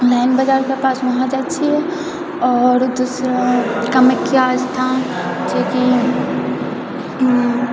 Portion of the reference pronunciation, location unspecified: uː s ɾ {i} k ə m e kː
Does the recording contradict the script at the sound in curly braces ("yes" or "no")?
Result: yes